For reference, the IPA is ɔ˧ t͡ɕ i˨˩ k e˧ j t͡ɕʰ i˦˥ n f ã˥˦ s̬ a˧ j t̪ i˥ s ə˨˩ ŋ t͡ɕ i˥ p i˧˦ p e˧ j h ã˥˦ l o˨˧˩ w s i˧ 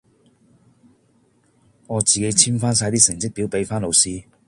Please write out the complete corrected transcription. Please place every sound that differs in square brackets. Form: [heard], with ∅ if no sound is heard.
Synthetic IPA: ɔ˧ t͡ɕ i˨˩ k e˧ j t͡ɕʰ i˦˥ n f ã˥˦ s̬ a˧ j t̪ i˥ s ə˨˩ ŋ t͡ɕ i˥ p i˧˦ p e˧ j [f] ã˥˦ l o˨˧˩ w s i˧